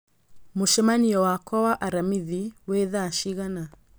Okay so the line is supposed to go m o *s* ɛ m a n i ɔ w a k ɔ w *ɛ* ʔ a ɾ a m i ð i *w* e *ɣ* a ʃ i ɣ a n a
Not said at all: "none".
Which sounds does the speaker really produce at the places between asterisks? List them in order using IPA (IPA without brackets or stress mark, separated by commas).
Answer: ʃ, a, w, ð